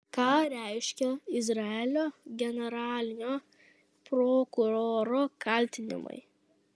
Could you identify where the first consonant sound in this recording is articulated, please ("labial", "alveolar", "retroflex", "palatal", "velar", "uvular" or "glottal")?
velar